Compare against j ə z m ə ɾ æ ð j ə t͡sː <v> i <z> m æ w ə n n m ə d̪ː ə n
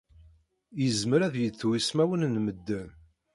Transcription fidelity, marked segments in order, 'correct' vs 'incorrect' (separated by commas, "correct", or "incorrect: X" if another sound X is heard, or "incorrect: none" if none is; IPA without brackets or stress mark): incorrect: w, incorrect: s